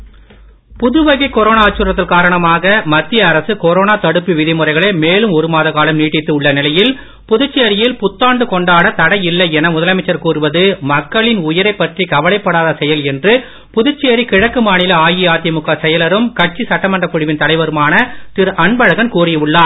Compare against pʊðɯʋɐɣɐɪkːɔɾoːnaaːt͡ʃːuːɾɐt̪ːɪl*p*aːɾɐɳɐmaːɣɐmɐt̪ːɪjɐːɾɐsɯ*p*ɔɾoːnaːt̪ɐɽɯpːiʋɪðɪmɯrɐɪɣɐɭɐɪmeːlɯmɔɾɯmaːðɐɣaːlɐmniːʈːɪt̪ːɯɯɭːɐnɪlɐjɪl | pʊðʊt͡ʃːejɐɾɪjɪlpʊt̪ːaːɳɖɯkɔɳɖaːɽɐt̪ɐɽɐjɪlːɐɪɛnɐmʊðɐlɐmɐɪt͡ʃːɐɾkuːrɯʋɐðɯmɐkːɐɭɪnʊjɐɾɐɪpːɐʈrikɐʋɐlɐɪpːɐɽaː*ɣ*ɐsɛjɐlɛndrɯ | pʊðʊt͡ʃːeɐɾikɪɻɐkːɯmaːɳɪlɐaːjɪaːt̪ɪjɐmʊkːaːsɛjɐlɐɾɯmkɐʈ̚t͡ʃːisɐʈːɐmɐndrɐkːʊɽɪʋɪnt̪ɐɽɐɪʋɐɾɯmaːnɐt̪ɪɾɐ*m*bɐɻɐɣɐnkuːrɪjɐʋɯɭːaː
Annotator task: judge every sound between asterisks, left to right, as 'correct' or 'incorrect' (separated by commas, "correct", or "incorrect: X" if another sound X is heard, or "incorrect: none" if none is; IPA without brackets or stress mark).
incorrect: k, incorrect: k, incorrect: ð, incorrect: ɳ